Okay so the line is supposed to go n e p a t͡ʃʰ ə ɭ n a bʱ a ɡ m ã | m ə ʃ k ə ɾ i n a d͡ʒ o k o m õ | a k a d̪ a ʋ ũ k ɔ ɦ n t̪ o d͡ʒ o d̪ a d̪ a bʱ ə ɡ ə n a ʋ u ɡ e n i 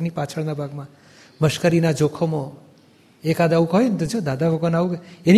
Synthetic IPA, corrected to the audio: n i p a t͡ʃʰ ə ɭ n a bʱ a ɡ m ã | m ə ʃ k ə ɾ i n a d͡ʒ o kʰ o m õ | e k a d̪ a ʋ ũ k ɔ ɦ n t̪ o d͡ʒ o d̪ a d̪ a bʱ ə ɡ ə n a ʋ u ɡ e n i